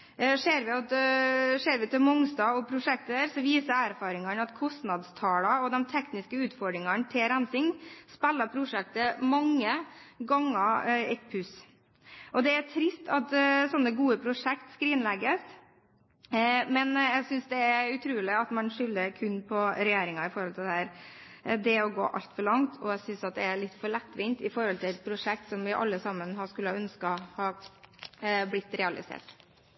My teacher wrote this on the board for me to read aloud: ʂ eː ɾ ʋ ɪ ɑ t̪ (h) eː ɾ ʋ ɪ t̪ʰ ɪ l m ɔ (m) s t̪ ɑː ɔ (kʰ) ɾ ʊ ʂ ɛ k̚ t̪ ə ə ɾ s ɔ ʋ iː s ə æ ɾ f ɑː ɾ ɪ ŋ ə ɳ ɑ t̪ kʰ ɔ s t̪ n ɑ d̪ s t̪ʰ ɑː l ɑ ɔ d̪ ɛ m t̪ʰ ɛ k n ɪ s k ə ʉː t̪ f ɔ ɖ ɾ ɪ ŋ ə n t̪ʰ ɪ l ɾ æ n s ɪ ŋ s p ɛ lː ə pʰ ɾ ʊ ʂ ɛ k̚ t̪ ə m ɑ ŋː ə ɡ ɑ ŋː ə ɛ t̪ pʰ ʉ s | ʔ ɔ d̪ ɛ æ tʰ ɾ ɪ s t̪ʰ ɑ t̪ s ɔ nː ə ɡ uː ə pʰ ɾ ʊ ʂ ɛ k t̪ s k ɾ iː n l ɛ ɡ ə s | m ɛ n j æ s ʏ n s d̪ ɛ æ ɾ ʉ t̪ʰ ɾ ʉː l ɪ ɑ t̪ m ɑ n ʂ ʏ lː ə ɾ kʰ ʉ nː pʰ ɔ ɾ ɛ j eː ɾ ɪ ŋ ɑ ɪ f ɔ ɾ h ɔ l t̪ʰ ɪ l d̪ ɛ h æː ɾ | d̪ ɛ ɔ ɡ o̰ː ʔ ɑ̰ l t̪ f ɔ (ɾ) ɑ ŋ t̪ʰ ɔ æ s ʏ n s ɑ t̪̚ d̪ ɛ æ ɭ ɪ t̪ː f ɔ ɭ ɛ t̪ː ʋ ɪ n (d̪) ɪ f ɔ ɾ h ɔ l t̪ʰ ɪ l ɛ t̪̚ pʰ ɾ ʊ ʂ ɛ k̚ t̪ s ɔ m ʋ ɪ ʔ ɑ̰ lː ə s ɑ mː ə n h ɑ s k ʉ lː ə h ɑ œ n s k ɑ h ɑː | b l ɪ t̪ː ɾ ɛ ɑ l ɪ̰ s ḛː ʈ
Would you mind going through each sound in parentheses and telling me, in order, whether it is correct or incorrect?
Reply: incorrect: ʂ, incorrect: ŋ, incorrect: pʰ, incorrect: ɭ, incorrect: t̪

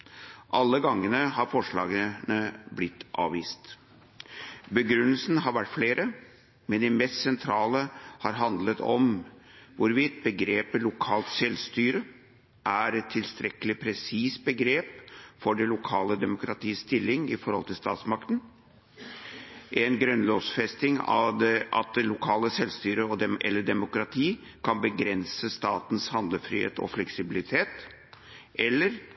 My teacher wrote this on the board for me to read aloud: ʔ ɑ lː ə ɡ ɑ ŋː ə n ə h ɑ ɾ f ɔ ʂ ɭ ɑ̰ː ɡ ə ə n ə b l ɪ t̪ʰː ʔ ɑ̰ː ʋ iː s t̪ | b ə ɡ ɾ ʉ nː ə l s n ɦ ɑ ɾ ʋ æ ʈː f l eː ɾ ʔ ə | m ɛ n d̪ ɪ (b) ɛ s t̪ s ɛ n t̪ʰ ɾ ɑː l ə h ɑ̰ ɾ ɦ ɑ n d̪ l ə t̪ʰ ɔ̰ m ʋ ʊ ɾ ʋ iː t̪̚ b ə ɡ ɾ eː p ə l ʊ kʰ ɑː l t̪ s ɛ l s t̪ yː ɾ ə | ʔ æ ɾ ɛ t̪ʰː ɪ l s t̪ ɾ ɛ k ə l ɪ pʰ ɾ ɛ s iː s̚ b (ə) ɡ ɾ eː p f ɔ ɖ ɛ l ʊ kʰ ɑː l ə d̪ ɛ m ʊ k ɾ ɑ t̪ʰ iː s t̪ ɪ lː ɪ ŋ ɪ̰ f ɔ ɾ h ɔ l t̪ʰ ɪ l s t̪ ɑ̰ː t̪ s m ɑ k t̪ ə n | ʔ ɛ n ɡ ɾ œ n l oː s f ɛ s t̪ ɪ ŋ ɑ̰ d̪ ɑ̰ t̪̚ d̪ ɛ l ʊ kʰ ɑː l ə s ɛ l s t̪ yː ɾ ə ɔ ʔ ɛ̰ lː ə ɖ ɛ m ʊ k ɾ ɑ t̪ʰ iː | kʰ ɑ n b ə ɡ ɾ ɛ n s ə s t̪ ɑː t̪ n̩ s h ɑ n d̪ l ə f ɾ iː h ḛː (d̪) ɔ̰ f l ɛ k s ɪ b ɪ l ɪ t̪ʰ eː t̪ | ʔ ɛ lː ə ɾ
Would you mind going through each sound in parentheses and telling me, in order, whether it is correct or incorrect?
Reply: incorrect: m, correct, incorrect: t̪

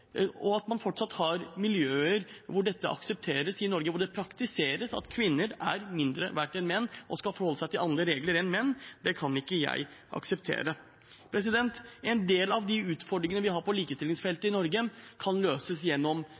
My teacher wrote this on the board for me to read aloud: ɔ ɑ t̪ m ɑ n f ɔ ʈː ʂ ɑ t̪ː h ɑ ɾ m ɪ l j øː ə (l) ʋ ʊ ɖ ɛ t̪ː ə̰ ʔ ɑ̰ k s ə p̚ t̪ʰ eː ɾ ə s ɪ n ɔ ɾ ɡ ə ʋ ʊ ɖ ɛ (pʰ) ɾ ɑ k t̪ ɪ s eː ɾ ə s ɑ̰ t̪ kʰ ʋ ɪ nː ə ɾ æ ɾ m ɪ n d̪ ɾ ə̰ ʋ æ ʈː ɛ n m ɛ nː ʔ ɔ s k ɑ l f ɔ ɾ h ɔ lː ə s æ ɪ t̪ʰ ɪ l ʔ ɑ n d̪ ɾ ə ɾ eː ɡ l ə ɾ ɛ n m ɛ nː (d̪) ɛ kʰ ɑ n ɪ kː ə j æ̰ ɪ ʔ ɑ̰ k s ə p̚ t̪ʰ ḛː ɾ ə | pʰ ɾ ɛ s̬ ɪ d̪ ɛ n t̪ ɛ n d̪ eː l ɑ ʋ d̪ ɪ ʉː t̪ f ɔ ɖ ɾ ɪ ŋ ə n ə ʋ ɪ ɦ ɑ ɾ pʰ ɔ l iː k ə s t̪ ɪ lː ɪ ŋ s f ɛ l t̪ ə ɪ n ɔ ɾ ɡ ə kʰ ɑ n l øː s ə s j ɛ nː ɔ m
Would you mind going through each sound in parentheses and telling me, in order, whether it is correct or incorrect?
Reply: incorrect: ɾ, correct, correct

